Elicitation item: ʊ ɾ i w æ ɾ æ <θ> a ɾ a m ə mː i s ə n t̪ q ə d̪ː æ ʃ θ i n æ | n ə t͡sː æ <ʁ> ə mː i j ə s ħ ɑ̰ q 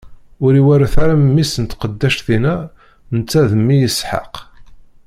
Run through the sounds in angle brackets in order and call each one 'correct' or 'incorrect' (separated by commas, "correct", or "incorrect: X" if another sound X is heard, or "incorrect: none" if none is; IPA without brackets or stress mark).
correct, incorrect: ð